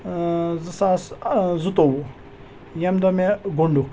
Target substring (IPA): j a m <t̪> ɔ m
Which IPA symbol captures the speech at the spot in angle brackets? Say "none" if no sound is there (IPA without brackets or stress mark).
d̪